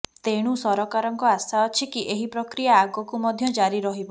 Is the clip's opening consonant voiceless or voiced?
voiceless